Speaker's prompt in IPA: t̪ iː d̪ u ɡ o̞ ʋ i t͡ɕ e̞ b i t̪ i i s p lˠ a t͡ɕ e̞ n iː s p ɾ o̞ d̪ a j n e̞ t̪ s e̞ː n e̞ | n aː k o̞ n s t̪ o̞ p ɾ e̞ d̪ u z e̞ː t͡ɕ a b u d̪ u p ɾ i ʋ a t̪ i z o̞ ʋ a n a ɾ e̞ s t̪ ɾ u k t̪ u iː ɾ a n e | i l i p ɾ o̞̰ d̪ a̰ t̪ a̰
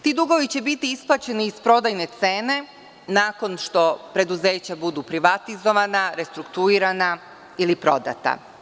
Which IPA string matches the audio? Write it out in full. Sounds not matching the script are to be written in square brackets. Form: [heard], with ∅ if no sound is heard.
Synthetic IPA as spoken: t̪ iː d̪ u ɡ o̞ ʋ i t͡ɕ e̞ b i t̪ i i s p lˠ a t͡ɕ e̞ n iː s p ɾ o̞ d̪ a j n e̞ t̪ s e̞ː n e̞ | n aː k o̞ n [ʃ] t̪ o̞ p ɾ e̞ d̪ u z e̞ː t͡ɕ a b u d̪ u p ɾ i ʋ a t̪ i z o̞ ʋ a n a ɾ e̞ s t̪ ɾ u k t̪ u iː ɾ a n [a] | i l i p ɾ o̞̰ d̪ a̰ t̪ a̰